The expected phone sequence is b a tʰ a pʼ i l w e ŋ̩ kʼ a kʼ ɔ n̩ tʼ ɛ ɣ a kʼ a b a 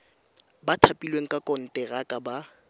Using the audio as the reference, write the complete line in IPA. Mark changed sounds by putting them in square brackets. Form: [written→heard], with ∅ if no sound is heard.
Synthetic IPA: b a tʰ a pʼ i l w e ŋ̩ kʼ a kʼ ɔ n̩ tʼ ɛ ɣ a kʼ a b a